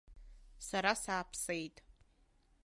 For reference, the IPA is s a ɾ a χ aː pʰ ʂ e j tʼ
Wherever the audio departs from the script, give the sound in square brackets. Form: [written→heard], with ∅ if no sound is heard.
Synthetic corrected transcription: s a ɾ a [χ→s] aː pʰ [ʂ→s] e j tʼ

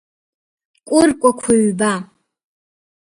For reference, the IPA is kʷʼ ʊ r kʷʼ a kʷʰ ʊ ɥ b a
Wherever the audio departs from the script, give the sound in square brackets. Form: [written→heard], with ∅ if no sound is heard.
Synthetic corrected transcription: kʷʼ ʊ r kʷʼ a kʷʰ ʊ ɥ b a

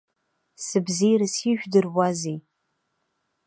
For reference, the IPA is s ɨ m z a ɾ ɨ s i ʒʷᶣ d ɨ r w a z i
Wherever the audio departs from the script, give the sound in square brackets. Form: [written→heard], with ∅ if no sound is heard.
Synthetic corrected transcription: s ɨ [m→b] z [a→i] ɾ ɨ s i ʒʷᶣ d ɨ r w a z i

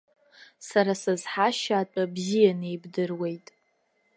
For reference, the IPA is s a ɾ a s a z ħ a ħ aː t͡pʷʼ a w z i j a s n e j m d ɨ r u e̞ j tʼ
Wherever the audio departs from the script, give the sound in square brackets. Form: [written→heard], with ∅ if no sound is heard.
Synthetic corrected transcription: s a ɾ a s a z ħ a [ħ→ʃ] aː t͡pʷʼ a [w→b] z i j a [s→∅] n e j [m→b] d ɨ r [u→w] e̞ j tʼ

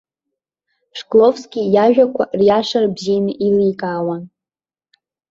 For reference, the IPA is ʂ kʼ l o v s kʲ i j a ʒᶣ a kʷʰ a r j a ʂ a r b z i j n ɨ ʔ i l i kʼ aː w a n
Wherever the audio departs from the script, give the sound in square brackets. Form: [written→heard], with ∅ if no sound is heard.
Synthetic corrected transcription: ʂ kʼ l o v s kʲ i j a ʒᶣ a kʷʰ a r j a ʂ a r b z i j n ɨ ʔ i l i kʼ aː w a n

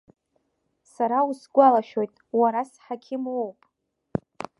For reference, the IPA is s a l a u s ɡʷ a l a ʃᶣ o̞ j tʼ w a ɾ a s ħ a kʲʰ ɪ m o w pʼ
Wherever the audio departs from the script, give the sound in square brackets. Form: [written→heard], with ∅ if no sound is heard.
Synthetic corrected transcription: s a [l→ɾ] a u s ɡʷ a l a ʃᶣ o̞ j tʼ w a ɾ a s ħ a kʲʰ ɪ m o w pʼ

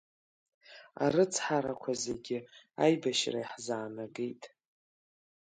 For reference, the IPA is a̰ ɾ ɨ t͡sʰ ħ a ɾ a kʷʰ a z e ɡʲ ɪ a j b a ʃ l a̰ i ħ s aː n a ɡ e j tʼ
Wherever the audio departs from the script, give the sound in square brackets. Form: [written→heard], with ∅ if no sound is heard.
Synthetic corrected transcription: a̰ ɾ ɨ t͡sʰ ħ a ɾ a kʷʰ a z e ɡʲ ɪ a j b a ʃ [l→r] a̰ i ħ [s→z] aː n a ɡ e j tʼ

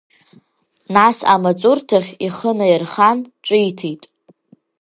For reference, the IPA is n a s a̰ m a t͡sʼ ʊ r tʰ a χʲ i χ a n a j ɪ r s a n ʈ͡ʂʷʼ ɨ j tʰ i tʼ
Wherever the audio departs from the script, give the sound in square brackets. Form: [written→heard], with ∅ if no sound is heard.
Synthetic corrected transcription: n a s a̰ m a t͡sʼ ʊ r tʰ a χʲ i χ [a→ə] n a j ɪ r [s→χ] a n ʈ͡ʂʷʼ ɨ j tʰ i tʼ

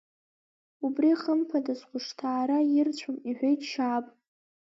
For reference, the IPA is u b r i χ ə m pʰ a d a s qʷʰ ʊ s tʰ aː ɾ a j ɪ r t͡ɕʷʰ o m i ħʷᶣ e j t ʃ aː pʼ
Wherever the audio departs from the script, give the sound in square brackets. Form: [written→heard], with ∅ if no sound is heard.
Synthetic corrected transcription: u b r i χ ə m pʰ a d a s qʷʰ ʊ [s→ʂ] tʰ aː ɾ a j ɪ r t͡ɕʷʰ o m i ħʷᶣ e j t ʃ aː pʼ

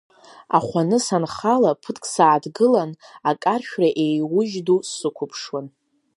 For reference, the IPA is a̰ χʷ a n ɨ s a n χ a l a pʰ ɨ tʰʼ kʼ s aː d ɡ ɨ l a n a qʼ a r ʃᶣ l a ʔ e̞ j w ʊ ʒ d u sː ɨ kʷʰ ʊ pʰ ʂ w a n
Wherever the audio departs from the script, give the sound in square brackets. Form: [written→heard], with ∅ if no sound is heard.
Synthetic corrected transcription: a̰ χʷ a n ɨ s a n χ a l a pʰ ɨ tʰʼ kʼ s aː d ɡ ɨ l a n a [qʼ→kʼ] a r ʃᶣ [l→r] a ʔ e̞ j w ʊ ʒ d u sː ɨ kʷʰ ʊ pʰ ʂ w a n

